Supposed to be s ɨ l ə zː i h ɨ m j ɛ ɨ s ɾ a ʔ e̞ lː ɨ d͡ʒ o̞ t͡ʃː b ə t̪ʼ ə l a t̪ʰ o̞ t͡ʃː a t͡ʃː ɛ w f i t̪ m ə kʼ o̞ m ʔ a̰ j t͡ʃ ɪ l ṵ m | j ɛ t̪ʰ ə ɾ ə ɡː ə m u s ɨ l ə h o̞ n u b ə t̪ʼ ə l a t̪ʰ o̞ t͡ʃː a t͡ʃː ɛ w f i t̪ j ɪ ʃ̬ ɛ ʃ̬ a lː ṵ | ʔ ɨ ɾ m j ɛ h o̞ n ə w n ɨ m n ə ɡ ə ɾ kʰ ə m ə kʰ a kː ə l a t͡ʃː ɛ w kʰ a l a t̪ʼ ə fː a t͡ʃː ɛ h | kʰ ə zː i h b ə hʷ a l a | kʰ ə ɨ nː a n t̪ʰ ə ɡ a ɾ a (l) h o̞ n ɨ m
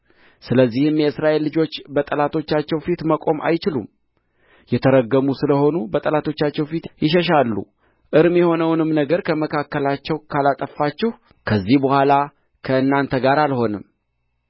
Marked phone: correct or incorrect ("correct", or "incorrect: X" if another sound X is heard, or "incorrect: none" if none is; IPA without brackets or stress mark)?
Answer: correct